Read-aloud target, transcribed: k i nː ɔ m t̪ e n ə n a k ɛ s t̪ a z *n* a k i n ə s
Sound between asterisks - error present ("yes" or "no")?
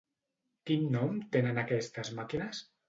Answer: yes